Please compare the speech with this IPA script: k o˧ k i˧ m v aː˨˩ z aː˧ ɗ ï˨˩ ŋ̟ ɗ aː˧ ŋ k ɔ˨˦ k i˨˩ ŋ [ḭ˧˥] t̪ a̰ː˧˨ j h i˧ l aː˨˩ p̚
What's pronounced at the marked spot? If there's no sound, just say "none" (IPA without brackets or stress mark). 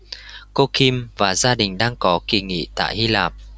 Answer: ḭ˧˨